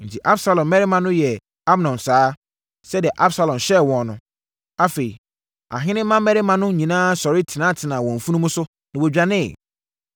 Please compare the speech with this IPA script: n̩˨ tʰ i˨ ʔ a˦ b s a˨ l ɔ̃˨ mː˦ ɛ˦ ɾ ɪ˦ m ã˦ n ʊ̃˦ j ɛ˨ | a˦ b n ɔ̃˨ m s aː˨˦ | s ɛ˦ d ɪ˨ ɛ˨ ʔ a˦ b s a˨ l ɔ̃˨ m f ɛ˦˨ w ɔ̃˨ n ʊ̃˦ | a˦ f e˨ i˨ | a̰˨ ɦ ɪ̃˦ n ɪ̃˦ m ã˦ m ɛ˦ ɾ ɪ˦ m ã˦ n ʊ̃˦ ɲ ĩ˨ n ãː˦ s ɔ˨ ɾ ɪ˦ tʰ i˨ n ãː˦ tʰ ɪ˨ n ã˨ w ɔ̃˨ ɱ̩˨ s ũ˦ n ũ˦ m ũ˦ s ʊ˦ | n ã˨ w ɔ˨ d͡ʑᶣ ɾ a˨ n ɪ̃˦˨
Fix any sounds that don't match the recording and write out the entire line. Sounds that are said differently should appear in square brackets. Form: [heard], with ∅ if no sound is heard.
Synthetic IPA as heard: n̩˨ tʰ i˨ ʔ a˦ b s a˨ l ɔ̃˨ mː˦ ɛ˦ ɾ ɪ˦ m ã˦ n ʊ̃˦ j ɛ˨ | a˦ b n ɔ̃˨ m s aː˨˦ | s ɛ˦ d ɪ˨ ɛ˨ ʔ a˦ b s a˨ l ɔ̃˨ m [ɕ] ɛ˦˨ w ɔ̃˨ n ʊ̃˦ | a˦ f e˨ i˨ | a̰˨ ɦ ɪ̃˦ n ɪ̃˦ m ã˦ m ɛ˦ ɾ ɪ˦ m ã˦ n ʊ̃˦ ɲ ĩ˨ n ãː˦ s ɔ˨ ɾ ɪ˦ tʰ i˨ n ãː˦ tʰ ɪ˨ n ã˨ w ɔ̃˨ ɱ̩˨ [f] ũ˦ n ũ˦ m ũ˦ s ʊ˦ | n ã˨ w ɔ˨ d͡ʑᶣ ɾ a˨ n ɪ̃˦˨